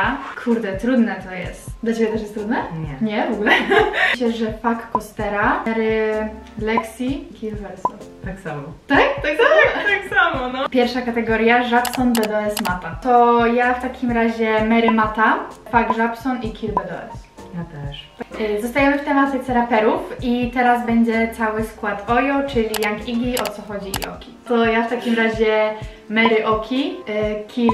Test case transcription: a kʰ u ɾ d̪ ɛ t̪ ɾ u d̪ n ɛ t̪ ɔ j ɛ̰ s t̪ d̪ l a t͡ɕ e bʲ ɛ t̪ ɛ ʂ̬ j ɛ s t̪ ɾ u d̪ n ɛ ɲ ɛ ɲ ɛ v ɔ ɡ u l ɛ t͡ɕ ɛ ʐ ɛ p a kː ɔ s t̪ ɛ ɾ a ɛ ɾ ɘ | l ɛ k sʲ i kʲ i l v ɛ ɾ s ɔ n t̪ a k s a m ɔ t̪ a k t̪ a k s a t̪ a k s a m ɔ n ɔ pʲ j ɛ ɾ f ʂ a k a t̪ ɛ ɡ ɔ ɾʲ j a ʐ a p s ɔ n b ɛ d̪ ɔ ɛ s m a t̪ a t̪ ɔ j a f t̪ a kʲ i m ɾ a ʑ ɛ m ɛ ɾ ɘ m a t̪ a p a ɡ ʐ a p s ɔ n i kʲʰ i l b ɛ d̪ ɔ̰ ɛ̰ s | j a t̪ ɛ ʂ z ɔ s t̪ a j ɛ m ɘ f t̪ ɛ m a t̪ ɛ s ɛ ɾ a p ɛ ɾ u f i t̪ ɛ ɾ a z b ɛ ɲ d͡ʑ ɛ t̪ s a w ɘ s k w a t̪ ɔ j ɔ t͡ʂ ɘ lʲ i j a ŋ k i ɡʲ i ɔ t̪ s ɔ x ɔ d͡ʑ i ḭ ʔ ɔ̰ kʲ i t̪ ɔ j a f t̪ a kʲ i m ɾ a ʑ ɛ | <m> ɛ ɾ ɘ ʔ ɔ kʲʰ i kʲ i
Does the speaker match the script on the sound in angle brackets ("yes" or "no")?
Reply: yes